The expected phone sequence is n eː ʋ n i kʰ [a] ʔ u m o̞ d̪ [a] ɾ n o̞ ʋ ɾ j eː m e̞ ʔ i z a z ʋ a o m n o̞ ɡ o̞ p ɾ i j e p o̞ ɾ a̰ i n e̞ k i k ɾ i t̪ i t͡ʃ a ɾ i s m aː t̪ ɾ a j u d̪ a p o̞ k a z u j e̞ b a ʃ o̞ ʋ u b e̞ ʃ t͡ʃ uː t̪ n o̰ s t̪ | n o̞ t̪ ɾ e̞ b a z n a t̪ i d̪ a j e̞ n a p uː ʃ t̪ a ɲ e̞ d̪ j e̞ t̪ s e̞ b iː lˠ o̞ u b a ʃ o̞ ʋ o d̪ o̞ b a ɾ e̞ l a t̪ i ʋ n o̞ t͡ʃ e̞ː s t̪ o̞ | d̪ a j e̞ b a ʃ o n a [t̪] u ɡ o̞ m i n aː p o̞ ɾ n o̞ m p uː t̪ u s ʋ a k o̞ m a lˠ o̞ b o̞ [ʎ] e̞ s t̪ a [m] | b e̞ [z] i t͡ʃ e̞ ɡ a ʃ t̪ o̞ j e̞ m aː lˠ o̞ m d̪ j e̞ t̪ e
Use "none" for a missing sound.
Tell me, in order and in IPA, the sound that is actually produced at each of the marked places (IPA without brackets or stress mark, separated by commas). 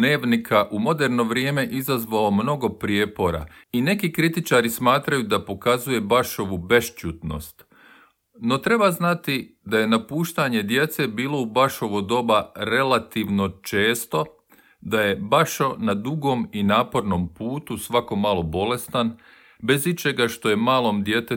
a, e, d̪, l, n, z